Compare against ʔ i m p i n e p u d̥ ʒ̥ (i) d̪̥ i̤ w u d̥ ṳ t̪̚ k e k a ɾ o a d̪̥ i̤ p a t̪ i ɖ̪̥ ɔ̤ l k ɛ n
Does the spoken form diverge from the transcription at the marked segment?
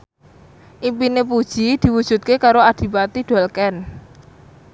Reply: no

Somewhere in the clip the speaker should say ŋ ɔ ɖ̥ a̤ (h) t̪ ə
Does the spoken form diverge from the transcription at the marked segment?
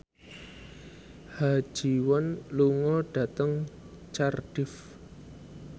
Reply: yes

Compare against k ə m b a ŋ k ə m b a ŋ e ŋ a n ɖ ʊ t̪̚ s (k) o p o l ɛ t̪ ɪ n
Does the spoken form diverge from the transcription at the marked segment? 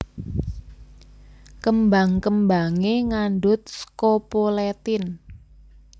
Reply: no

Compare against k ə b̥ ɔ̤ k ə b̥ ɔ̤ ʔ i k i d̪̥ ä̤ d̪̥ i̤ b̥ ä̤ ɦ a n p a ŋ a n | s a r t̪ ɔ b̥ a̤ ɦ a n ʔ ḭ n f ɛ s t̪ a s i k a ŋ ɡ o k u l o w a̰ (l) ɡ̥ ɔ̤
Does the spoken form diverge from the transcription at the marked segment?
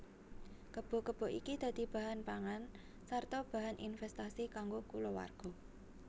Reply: yes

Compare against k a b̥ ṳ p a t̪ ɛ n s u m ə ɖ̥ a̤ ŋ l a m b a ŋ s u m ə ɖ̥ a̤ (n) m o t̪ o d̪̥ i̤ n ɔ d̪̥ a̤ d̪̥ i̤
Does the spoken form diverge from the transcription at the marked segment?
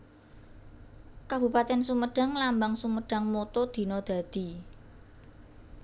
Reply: yes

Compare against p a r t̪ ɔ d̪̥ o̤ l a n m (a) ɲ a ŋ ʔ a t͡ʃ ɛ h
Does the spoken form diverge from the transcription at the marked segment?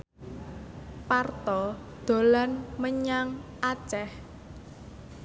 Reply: yes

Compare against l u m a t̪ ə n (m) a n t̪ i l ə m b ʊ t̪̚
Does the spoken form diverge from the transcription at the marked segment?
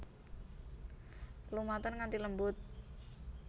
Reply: yes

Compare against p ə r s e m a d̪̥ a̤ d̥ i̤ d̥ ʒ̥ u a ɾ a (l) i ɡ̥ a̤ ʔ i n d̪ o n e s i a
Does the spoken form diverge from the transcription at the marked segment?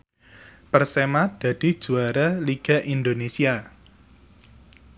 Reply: no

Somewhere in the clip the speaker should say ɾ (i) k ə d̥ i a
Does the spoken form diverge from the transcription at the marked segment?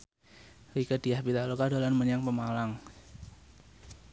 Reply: no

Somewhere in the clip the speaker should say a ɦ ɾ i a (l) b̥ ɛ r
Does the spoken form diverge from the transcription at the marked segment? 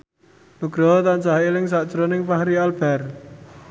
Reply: no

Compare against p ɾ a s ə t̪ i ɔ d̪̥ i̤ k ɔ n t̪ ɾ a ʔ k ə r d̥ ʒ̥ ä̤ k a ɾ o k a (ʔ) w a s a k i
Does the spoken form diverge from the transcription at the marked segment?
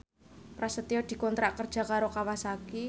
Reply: yes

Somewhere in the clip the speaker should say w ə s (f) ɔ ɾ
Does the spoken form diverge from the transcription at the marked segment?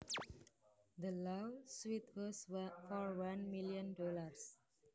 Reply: no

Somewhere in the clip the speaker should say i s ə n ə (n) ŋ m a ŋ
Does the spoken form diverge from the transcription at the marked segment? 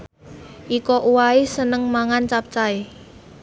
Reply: yes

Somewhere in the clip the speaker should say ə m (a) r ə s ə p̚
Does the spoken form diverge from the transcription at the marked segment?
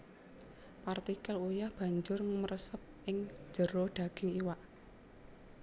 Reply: yes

